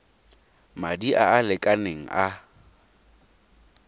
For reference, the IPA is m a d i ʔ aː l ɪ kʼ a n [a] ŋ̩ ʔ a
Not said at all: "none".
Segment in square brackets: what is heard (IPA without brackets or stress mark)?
e